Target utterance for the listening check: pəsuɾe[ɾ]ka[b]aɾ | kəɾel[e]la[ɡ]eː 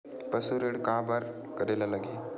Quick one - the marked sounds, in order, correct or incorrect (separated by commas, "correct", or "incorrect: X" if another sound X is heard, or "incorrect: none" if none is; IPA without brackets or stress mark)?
incorrect: ɽ, correct, incorrect: a, correct